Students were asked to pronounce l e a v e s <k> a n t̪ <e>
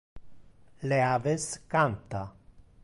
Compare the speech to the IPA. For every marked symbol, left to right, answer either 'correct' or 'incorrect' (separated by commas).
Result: correct, incorrect